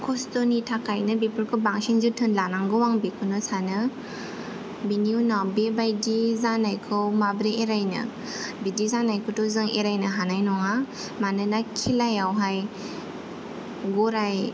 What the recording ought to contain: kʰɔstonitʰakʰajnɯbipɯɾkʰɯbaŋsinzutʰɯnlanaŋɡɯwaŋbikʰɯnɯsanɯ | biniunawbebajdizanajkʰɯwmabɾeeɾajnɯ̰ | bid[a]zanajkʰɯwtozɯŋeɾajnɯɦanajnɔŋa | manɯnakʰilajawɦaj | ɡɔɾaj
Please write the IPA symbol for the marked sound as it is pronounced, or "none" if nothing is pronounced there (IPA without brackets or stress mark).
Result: i